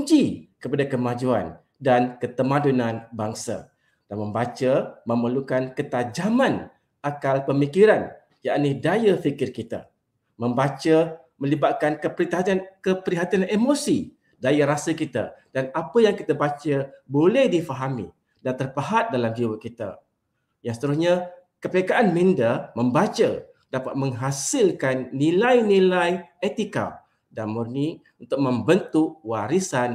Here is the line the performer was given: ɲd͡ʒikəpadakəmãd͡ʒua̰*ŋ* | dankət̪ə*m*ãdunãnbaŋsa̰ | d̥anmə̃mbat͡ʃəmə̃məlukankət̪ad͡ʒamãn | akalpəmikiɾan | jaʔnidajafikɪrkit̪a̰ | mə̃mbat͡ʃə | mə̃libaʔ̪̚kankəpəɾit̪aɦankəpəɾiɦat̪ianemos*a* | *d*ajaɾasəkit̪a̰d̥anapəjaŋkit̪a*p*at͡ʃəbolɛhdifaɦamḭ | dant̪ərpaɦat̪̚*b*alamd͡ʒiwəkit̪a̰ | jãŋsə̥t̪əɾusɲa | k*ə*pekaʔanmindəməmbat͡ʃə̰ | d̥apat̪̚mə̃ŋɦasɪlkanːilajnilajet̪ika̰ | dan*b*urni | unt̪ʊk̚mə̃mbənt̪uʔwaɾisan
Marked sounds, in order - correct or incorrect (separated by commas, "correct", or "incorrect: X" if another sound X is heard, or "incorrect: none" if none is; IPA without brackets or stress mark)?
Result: incorrect: n, correct, incorrect: i, correct, incorrect: b, incorrect: d, correct, incorrect: m